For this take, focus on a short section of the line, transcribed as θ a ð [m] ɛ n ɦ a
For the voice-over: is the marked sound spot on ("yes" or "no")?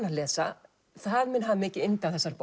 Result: yes